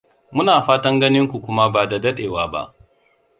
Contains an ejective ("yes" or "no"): no